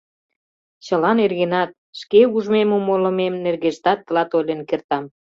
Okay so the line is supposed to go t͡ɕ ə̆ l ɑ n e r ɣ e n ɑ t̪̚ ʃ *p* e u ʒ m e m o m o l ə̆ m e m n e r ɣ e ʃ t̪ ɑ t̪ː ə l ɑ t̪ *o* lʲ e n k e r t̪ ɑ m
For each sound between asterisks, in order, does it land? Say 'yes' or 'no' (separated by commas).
no, yes